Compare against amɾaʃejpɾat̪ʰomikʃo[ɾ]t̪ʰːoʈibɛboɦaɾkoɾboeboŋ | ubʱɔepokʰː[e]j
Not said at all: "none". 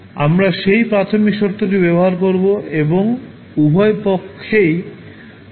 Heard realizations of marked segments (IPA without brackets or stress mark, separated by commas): ɾ, e